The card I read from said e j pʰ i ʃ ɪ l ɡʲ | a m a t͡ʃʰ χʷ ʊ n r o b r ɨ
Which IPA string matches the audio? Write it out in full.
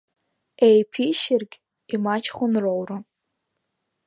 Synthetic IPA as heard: e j pʰ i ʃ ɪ r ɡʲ | i m a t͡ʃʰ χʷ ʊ n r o w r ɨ